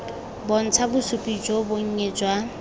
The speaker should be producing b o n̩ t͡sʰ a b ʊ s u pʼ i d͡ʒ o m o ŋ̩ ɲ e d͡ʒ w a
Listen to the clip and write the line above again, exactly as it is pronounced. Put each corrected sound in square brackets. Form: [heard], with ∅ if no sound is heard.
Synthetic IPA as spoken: b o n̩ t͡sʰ a b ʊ s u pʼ i d͡ʒ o [b] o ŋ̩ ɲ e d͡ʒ w a